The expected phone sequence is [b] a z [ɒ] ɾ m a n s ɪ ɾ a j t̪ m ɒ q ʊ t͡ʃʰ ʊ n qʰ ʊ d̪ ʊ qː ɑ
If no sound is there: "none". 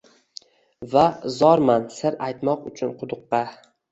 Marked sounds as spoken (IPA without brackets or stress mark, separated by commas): v, ɒ